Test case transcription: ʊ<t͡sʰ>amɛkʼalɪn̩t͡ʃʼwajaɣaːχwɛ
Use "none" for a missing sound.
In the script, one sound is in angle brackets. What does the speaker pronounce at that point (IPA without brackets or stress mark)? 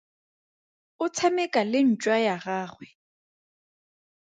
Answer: t͡sʰ